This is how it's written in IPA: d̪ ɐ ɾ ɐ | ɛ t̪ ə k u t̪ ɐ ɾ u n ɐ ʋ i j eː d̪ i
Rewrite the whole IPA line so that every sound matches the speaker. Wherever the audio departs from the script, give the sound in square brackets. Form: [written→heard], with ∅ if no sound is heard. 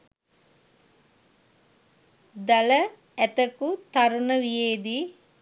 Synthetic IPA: d̪ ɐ [ɾ→l] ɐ | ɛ t̪ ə k u t̪ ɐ ɾ u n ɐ ʋ i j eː d̪ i